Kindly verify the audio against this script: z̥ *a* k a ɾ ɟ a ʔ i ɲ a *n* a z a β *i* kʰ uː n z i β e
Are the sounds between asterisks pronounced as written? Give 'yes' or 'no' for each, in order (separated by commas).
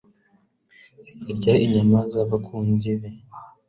no, no, no